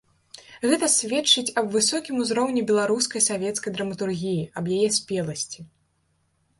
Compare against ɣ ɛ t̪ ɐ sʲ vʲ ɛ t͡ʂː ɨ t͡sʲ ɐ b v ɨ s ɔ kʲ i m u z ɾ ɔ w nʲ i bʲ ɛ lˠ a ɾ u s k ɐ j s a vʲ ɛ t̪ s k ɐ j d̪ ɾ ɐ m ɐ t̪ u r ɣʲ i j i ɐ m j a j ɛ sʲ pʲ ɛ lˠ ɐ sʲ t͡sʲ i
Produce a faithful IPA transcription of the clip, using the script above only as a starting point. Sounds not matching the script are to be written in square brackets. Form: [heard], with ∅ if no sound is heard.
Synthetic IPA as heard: ɣ ɛ t̪ ɐ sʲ vʲ ɛ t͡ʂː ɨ t͡sʲ ɐ b v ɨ s ɔ kʲ i m u z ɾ ɔ w nʲ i bʲ ɛ lˠ a ɾ u s k ɐ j s a vʲ ɛ t̪ s k ɐ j d̪ ɾ ɐ m ɐ t̪ u r ɣʲ i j i ɐ [b] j a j ɛ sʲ pʲ ɛ lˠ ɐ sʲ t͡sʲ i